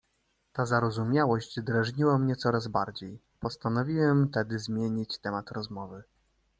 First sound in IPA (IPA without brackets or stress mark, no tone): t̪